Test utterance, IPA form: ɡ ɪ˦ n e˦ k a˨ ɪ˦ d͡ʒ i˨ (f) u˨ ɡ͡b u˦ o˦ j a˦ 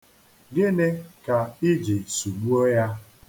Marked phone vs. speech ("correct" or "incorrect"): incorrect